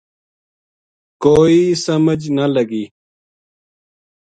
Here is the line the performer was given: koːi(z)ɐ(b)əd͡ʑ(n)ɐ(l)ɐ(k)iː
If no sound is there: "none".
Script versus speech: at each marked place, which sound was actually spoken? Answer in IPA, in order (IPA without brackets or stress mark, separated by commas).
s, m, n, l, ɡ